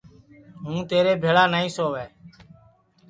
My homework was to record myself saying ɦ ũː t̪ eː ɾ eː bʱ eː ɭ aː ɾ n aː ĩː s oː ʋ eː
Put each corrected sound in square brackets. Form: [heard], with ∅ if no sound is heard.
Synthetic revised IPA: ɦ ũː t̪ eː ɾ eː bʱ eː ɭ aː [∅] n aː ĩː s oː ʋ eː